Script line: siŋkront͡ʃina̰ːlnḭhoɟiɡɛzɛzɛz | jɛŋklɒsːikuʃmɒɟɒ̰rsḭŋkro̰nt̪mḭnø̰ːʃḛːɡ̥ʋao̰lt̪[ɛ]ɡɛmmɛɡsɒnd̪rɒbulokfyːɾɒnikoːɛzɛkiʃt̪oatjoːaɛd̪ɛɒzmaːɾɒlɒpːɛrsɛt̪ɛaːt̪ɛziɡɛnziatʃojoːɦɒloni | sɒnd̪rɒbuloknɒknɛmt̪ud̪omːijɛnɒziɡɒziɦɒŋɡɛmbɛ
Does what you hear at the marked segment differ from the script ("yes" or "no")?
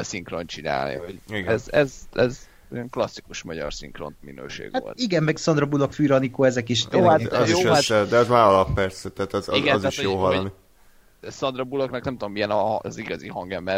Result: yes